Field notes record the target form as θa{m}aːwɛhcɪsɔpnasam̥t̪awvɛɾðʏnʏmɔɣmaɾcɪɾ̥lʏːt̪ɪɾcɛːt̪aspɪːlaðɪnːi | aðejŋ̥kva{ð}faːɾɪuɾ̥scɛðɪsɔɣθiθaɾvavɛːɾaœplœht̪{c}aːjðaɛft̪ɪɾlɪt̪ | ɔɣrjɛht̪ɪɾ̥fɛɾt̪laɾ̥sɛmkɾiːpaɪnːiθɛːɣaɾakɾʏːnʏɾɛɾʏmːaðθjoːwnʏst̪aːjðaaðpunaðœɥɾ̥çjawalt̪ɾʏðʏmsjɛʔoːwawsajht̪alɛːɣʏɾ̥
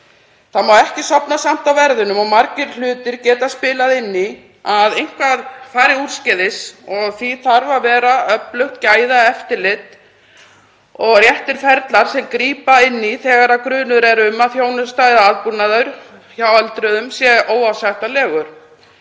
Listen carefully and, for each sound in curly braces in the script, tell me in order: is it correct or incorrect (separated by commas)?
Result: correct, correct, correct